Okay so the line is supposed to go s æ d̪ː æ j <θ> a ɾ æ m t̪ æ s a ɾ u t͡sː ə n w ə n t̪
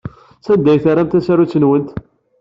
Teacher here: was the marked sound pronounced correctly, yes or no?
yes